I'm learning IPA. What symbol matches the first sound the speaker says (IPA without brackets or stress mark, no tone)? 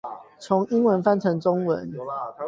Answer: t͡sʰ